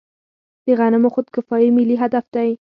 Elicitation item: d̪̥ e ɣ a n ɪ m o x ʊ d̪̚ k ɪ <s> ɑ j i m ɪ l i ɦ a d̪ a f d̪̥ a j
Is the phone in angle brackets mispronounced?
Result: yes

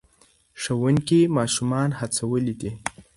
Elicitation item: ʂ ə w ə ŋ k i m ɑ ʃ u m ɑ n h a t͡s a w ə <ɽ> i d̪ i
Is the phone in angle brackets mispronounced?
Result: yes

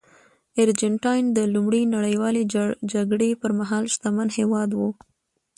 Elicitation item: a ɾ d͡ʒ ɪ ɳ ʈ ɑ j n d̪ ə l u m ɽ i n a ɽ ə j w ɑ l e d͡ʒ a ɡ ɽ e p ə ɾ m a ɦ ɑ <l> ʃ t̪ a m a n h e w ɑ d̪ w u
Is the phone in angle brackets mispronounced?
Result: no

